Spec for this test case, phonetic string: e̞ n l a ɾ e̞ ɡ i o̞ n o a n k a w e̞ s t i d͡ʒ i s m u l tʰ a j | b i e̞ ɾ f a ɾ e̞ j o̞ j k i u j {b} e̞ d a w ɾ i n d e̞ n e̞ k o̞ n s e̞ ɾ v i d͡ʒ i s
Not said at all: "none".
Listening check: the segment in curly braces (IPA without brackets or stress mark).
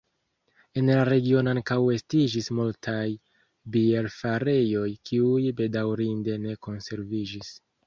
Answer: b